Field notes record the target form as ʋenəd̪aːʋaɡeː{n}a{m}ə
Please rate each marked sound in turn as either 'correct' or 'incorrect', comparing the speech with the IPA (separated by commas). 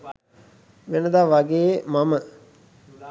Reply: incorrect, correct